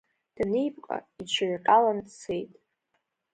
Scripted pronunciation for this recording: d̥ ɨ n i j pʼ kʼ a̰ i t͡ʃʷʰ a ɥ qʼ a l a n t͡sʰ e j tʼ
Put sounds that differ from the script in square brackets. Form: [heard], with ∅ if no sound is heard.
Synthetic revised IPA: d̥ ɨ n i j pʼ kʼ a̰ i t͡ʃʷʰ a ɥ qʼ a l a n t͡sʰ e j tʼ